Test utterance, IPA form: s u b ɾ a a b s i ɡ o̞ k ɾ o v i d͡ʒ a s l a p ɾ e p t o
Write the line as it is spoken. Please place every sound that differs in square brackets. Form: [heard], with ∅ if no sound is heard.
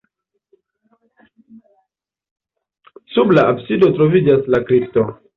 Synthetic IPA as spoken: s u b [l] a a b s i [d] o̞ [t] ɾ o v i d͡ʒ a s l a [k] ɾ [i] p t o